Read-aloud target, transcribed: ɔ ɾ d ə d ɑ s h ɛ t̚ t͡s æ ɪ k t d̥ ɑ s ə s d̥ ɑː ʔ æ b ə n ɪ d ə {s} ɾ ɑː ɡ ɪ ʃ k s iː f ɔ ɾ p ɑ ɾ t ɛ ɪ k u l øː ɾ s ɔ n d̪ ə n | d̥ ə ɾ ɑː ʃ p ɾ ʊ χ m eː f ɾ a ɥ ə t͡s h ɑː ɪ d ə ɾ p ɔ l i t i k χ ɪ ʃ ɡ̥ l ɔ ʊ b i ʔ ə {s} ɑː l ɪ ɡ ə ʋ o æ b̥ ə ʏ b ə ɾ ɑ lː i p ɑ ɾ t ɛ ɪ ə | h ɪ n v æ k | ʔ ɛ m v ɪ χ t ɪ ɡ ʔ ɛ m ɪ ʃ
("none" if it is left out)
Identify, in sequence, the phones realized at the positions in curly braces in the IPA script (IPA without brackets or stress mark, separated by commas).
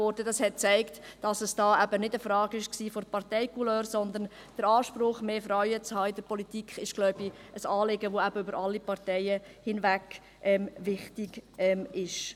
f, s